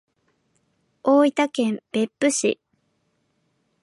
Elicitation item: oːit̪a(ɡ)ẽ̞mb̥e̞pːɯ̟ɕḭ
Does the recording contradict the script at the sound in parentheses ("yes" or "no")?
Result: yes